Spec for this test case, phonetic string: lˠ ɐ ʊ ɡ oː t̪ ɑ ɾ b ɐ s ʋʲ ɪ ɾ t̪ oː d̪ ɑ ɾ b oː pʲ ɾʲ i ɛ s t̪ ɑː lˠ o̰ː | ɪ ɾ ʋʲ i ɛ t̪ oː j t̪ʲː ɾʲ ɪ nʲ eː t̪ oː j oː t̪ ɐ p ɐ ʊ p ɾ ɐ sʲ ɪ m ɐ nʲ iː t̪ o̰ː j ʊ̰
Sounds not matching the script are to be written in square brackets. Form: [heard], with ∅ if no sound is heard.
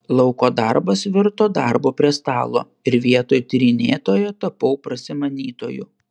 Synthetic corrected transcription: lˠ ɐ ʊ [k] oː [d̪] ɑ ɾ b ɐ s ʋʲ ɪ ɾ t̪ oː d̪ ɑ ɾ b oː pʲ ɾʲ i ɛ s t̪ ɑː lˠ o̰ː | ɪ ɾ ʋʲ i ɛ t̪ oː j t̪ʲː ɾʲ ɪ nʲ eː t̪ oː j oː t̪ ɐ p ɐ ʊ p ɾ ɐ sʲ ɪ m ɐ nʲ iː t̪ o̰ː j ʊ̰